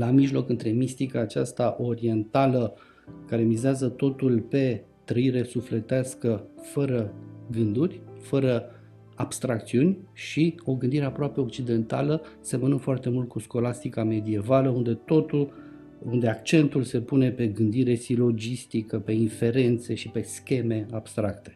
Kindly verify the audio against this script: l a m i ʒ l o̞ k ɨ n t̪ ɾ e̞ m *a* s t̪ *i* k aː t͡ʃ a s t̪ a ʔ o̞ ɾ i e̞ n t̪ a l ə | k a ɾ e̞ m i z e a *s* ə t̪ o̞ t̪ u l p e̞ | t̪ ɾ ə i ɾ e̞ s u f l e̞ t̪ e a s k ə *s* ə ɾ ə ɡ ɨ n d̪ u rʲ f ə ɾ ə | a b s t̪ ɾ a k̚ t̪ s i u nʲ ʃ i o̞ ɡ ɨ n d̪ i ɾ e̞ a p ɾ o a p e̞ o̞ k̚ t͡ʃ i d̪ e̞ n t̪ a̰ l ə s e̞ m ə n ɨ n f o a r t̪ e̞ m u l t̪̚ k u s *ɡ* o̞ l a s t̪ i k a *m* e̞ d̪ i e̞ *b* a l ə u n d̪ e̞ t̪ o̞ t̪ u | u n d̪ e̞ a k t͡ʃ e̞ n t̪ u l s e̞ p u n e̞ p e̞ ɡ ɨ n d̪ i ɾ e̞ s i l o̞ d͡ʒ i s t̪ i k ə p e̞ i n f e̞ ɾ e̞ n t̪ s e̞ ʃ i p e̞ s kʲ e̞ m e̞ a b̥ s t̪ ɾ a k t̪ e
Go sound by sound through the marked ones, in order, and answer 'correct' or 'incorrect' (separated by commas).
incorrect, correct, incorrect, incorrect, incorrect, correct, incorrect